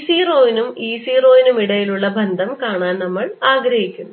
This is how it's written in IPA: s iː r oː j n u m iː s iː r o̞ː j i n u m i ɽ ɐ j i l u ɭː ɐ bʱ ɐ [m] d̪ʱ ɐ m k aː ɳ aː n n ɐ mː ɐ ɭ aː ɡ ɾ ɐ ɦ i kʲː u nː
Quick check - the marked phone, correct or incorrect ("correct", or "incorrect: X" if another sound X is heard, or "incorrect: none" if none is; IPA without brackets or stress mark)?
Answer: incorrect: n